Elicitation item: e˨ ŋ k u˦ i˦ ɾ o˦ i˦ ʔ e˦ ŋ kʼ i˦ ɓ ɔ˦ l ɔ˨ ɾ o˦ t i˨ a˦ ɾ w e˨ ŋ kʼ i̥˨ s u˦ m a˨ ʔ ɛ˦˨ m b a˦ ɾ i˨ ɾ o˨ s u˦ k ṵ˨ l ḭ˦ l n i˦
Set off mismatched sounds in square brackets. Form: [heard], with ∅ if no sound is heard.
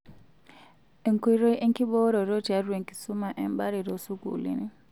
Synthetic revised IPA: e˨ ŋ k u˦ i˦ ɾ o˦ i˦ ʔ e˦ ŋ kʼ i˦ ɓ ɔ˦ [ɾ] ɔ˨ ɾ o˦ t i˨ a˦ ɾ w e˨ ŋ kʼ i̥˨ s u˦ m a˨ ʔ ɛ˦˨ m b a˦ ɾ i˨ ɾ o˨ s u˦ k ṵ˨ l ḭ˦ [∅] n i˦

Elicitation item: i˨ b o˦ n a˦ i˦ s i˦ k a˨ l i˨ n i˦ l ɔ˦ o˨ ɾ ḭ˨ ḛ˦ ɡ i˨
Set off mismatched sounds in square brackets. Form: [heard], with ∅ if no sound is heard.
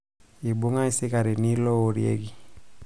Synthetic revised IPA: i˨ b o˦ [ŋ] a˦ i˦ s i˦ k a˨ [ɾ] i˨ n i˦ l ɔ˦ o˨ ɾ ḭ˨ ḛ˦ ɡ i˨

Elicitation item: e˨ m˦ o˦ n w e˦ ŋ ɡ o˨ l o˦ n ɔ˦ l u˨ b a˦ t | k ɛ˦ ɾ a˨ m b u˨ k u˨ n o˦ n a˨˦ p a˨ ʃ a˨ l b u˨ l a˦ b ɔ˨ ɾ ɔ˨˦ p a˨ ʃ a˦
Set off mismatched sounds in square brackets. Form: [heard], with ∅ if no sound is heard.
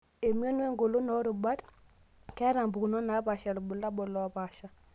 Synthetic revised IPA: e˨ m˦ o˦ n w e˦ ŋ ɡ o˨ l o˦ n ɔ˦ [ɾ] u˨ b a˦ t | k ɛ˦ ɾ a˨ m b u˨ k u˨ n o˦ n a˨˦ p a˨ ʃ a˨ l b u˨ l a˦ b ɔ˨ [l] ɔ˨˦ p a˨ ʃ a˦

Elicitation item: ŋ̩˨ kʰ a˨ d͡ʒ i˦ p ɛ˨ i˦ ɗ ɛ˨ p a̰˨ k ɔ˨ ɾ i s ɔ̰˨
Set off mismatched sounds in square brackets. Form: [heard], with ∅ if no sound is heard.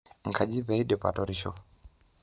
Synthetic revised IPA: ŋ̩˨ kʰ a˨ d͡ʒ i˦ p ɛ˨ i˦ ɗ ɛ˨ p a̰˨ [t] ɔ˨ ɾ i [ʃ] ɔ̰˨

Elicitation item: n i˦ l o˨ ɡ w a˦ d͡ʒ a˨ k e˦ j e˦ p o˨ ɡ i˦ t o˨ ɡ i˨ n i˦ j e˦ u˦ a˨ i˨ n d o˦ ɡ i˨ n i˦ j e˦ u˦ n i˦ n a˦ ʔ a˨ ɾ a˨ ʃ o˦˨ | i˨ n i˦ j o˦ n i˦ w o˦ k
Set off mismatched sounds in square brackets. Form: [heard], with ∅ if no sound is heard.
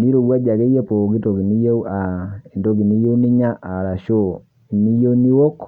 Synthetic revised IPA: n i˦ [ɾ] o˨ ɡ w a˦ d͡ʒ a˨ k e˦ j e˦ p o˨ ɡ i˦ t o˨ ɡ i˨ n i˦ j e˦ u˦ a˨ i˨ n d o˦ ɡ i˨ n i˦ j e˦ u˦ n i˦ [ɲ] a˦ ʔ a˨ ɾ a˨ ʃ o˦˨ | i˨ n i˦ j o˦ n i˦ w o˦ k

